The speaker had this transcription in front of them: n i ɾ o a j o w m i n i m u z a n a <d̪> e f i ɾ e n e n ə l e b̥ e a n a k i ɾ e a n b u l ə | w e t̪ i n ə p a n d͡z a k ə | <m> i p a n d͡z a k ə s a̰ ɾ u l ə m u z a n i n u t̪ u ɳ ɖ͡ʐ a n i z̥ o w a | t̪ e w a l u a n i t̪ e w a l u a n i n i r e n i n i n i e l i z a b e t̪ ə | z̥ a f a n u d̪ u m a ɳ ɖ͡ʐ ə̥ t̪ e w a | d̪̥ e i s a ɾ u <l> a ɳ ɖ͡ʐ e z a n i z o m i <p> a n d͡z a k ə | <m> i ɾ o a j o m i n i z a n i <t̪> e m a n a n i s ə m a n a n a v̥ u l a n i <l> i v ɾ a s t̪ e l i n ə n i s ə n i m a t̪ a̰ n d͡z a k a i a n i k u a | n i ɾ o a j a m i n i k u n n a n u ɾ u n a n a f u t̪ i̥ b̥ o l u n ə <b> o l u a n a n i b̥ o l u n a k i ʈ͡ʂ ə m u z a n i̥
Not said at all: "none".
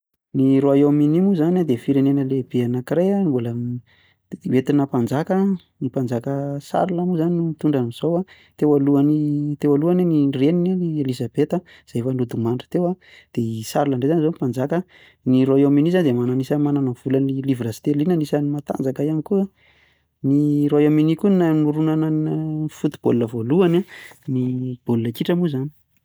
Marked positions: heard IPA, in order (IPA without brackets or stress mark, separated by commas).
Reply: d̪, n, l, p, n, d̪, l, v